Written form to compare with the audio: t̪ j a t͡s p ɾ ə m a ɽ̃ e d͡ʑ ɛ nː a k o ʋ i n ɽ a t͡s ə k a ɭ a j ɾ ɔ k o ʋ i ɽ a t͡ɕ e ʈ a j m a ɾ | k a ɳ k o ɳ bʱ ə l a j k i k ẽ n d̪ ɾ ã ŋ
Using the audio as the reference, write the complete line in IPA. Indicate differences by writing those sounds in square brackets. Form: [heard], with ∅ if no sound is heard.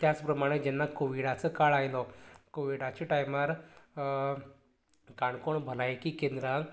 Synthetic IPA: t̪ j a t͡s p ɾ ə m a ɽ̃ e d͡ʑ ɛ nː a k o ʋ i [∅] ɽ a t͡s ə k a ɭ a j [l] ɔ k o ʋ i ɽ a t͡ɕ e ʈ a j m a ɾ | k a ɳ k o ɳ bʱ ə l a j k i k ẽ n d̪ ɾ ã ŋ